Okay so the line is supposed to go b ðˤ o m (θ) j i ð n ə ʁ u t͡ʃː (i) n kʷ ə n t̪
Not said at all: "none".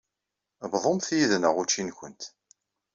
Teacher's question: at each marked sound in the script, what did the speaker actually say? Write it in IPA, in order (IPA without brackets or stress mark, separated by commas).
θ, i